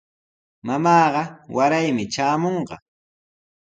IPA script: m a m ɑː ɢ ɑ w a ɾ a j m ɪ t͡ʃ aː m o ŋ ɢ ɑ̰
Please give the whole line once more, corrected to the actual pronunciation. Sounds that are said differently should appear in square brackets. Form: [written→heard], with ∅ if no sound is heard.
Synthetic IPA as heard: m a m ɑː ɢ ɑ w a ɾ a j m ɪ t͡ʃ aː m o [ŋ→ɴ] ɢ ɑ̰